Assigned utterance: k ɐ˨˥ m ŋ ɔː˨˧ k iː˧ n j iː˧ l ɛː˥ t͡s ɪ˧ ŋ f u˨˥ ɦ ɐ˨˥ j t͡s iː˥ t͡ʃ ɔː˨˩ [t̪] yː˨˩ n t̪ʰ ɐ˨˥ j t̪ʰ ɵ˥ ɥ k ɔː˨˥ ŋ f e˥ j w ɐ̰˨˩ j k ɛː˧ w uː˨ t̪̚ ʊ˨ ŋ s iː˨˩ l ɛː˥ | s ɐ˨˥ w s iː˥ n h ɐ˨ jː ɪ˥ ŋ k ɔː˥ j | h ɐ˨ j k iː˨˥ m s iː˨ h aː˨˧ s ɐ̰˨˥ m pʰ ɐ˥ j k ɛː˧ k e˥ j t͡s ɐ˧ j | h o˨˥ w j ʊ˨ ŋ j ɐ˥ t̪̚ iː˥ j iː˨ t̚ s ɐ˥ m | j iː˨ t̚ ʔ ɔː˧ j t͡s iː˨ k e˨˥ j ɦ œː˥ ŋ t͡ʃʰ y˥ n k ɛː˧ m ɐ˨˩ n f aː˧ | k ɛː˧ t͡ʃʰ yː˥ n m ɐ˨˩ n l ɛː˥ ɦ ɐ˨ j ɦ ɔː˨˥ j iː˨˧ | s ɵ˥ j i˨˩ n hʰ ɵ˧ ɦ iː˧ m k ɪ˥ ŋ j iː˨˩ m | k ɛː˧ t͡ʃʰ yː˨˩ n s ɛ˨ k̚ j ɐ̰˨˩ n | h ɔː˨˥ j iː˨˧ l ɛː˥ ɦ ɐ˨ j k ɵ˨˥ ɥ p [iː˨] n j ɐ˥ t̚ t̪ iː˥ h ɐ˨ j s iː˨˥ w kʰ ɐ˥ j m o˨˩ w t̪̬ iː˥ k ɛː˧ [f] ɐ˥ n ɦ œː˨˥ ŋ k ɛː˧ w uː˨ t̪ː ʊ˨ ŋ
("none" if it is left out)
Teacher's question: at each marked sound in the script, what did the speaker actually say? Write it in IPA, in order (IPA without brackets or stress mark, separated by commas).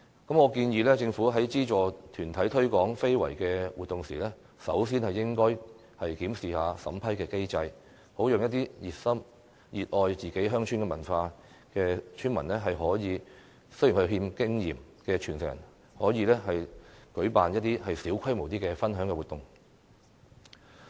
t̪ʰ, aː˨, f